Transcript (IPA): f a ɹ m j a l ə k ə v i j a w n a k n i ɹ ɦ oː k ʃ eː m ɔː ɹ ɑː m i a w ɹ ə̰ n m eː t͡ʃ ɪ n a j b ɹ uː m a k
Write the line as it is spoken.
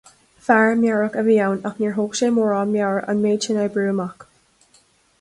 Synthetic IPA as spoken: f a ɹ m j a ɹ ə k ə v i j a w n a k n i ɹ ɦ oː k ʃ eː m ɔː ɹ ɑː m j a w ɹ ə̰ n m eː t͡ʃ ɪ n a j b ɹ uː m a k